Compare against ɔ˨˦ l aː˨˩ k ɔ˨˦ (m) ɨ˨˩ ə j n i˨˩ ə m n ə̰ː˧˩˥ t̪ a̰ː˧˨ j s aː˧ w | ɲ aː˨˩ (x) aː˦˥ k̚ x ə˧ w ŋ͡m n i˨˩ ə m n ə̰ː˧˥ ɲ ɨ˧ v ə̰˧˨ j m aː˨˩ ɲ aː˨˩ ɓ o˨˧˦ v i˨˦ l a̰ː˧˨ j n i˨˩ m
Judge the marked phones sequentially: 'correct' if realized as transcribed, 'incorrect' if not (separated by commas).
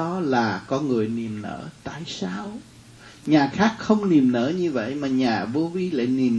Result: incorrect, correct